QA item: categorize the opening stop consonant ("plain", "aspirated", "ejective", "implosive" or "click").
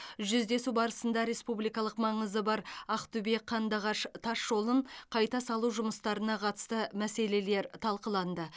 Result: plain